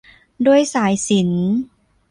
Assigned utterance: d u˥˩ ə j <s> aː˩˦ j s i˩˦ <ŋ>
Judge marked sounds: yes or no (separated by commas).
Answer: yes, no